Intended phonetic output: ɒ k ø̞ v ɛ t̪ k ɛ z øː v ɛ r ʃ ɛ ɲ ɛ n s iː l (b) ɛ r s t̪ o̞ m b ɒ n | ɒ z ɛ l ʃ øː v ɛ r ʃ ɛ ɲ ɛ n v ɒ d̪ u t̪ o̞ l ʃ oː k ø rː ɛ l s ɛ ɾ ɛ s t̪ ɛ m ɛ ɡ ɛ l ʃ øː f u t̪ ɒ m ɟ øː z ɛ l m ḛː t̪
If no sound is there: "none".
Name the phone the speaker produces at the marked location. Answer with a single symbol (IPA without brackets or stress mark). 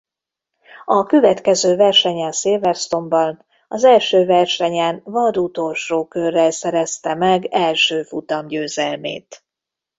v